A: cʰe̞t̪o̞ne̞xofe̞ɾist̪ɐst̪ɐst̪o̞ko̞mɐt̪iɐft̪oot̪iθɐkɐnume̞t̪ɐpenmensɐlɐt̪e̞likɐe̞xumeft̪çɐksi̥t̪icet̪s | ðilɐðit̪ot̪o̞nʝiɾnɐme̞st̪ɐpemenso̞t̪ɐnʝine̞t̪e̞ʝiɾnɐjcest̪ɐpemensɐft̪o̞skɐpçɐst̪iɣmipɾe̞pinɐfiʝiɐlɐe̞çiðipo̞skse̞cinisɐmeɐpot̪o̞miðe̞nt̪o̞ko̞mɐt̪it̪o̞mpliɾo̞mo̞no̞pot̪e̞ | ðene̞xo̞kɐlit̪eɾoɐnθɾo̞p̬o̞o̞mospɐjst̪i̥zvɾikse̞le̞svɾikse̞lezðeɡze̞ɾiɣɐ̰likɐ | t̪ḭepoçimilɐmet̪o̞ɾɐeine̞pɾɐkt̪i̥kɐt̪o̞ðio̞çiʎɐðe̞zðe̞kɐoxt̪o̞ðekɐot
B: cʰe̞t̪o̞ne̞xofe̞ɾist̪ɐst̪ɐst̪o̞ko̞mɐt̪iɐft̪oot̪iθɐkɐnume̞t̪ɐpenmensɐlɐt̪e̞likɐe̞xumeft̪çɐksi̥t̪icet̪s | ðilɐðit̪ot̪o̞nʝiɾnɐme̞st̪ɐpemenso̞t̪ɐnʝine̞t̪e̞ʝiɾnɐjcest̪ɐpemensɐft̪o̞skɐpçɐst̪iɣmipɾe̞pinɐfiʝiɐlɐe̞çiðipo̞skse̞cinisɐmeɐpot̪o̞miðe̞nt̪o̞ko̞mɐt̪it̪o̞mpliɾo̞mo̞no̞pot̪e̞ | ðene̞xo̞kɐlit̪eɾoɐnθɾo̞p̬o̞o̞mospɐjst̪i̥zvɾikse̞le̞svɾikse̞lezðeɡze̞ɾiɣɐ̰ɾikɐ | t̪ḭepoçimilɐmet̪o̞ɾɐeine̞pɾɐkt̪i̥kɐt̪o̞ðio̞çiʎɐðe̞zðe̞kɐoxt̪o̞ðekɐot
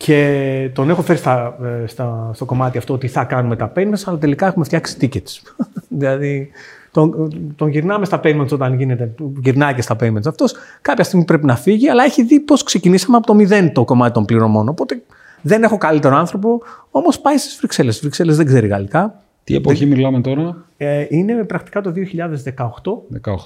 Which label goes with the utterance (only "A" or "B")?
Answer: A